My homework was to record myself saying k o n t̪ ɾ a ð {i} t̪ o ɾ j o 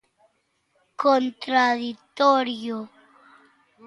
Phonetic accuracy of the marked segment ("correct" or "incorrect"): correct